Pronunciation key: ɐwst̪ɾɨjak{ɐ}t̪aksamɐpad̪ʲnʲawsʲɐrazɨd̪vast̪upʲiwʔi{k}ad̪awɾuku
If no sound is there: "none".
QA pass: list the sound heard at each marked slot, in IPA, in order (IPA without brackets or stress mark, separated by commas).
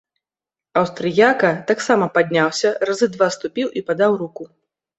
ɐ, p